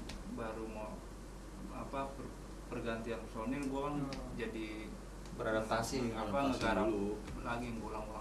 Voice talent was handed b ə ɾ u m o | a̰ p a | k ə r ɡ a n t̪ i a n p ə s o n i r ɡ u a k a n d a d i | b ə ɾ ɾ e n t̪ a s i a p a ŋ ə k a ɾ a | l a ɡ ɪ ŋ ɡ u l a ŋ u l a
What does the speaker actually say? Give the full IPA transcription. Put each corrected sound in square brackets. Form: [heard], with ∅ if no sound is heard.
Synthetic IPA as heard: b [a] ɾ u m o | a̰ p a | [p] ə r ɡ a n t̪ i a n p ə s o n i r ɡ u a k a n [d͡ʒ] a d i | b ə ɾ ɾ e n t̪ a s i a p a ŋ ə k a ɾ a | l a ɡ [i] ŋ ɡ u l a ŋ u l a

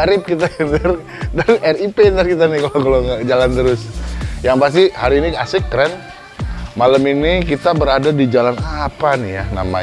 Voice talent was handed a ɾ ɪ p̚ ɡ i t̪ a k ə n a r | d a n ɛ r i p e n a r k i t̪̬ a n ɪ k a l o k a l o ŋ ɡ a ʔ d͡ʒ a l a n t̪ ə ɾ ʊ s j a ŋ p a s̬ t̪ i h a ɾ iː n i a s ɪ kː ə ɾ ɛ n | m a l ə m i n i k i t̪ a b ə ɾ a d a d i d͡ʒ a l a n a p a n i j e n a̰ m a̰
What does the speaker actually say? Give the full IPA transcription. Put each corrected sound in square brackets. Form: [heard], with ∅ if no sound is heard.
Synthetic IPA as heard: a ɾ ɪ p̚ [k] i t̪ a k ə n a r | d a n ɛ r i p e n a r k i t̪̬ a n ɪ k a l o k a l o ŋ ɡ a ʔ d͡ʒ a l a n t̪ ə ɾ ʊ s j a ŋ p a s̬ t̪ i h a ɾ iː n i a s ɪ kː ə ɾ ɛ n | m a l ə m i n i k i t̪ a b ə ɾ a d a d i d͡ʒ a l a n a p a n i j [a] n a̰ m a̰

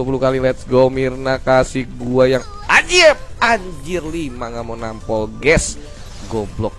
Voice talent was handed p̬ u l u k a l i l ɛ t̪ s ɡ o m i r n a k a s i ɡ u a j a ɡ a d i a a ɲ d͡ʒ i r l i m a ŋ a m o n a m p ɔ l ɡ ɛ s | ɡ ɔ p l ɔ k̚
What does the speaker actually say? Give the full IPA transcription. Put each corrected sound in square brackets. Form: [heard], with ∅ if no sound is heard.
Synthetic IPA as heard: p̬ u l u k a l i l ɛ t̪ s ɡ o m i r n a k a s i ɡ u a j a [ŋ] a [d͡ʒ] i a a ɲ d͡ʒ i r l i m a ŋ a m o n a m p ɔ l ɡ ɛ s | ɡ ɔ [b] l ɔ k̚

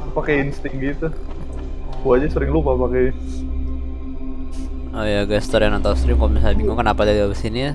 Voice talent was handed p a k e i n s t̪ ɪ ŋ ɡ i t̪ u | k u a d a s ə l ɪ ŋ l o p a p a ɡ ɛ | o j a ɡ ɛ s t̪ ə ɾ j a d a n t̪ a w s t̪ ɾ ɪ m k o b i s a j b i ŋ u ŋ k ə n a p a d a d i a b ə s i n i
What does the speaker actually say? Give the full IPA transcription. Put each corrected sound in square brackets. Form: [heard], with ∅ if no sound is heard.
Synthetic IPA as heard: p a k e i n s t̪ ɪ ŋ ɡ i t̪ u | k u a [d͡ʒ] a s ə [ɾ] ɪ ŋ l [u] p a p a [k] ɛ | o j a ɡ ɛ s t̪ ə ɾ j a [n] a n t̪ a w s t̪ ɾ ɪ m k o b i s a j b i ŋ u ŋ k ə n a p a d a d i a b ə s i n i

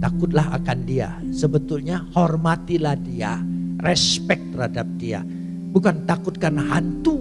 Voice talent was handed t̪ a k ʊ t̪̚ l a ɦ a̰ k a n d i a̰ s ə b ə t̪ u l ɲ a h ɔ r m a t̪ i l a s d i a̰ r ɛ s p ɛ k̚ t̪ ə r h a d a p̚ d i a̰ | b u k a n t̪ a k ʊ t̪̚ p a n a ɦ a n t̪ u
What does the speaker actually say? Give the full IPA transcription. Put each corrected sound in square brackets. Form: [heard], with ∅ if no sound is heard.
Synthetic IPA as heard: t̪ a k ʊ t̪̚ l a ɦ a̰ k a n d i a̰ s ə b ə t̪ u l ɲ a h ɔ r m a t̪ i l a [h] d i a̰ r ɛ s p ɛ k̚ t̪ ə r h a d a p̚ d i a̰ | b u k a n t̪ a k ʊ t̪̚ [k] a n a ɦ a n t̪ u

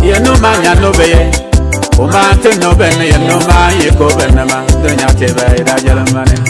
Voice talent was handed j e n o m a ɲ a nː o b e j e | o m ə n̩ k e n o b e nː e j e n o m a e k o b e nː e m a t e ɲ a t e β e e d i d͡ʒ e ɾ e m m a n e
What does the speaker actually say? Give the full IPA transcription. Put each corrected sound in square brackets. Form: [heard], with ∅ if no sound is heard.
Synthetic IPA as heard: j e n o m a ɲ a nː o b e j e | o m [a] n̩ [t] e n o b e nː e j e n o m a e k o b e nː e m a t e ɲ a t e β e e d [a] d͡ʒ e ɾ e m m a n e

